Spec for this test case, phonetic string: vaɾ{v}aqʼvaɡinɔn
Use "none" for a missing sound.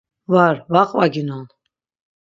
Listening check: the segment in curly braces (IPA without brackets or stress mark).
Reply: v